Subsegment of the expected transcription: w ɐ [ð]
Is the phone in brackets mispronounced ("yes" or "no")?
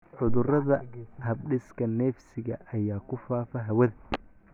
no